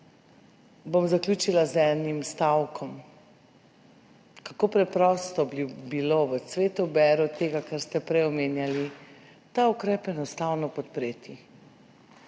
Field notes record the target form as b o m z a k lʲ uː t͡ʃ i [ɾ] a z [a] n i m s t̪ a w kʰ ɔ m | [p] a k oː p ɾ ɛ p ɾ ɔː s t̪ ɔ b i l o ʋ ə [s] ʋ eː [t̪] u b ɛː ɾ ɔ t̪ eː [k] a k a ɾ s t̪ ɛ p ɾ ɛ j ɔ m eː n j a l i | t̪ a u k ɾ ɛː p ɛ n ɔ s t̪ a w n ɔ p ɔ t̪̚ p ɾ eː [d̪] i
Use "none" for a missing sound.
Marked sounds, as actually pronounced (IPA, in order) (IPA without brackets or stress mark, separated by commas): l, ɛ, k, s, t̪, ɡ, t̪